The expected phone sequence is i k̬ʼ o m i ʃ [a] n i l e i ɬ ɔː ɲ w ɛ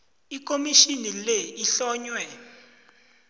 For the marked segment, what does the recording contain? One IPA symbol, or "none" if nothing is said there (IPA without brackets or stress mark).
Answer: i